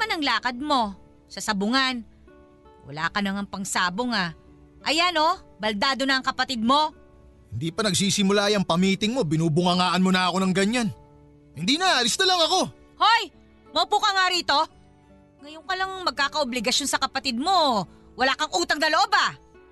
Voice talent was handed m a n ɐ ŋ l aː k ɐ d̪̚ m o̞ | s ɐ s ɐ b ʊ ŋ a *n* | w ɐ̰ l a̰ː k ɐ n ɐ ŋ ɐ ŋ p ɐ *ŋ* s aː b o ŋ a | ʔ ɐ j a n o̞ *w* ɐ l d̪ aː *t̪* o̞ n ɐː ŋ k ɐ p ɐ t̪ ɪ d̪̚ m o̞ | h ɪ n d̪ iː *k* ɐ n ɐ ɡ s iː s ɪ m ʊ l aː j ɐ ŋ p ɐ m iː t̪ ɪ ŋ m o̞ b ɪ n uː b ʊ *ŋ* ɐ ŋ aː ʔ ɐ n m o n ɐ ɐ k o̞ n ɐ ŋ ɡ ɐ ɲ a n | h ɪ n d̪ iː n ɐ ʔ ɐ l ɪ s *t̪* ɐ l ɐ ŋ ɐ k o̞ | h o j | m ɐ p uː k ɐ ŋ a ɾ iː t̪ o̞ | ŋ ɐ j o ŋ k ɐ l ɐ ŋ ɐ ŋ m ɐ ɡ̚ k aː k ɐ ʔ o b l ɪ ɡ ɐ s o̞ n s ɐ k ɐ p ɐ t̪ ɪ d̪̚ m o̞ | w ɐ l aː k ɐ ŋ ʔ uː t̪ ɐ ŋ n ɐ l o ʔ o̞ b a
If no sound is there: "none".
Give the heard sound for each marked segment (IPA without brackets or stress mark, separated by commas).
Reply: n, ŋ, b, d̪, p, ŋ, t̪